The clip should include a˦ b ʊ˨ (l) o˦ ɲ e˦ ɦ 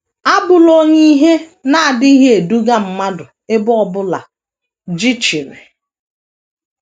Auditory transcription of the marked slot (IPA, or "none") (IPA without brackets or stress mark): l